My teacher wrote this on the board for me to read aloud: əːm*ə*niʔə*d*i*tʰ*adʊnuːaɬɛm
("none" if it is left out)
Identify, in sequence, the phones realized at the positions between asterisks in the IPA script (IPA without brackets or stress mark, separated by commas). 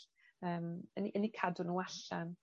ə, n, kʰ